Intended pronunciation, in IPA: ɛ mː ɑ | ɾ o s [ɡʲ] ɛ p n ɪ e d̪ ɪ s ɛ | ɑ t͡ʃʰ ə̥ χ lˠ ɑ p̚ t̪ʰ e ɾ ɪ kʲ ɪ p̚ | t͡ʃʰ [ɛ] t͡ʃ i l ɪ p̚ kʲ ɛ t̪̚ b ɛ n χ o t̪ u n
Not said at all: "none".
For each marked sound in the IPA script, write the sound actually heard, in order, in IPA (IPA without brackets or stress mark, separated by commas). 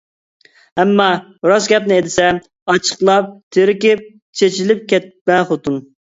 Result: ɡʲ, e